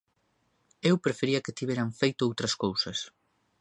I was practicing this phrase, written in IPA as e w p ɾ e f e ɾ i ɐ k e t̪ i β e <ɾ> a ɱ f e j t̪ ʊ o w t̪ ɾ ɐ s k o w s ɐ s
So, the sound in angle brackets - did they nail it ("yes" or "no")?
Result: yes